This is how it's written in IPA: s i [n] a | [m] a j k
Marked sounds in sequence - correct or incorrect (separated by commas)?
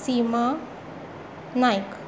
incorrect, incorrect